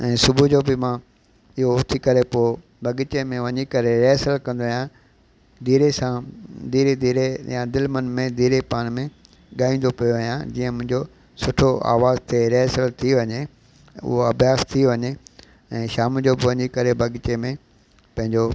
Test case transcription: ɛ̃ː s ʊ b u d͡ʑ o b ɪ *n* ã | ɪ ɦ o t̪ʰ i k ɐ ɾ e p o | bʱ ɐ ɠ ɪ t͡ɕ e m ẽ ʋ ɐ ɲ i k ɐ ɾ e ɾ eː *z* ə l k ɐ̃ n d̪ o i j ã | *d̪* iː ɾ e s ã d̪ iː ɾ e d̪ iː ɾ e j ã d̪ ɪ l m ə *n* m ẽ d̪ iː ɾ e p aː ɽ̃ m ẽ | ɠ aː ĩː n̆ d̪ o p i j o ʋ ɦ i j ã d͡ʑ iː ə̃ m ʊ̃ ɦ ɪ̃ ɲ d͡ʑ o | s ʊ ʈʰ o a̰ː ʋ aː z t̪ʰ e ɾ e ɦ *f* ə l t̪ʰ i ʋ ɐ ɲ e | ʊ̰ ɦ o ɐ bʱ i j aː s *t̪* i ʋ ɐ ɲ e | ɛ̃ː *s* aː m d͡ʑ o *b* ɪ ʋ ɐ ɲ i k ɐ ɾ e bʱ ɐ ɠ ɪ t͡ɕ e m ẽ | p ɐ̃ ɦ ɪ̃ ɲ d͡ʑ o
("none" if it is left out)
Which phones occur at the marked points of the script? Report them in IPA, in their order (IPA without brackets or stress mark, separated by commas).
m, s, d̪, n, s, t̪ʰ, ʃ, b